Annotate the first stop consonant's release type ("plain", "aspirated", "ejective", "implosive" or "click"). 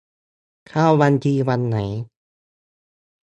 aspirated